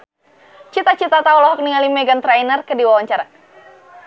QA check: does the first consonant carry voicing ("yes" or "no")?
no